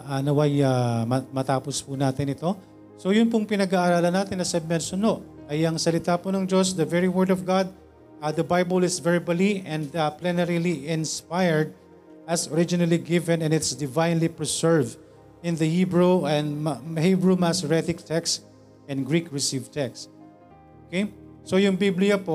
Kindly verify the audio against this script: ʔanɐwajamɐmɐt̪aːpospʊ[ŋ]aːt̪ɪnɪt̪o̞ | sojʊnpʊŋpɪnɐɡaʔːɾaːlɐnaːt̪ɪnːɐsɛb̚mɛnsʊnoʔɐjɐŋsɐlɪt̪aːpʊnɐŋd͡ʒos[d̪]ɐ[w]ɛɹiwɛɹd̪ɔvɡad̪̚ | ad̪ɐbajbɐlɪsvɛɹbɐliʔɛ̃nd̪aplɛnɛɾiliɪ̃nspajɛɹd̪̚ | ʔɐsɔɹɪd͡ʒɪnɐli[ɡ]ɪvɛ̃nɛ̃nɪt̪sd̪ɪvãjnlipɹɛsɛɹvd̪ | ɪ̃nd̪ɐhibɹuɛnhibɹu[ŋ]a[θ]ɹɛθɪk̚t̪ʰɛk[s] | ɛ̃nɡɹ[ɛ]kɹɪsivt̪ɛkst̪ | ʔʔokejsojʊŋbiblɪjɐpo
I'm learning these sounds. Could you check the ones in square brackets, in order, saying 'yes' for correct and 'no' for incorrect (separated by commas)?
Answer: no, yes, no, yes, no, no, yes, no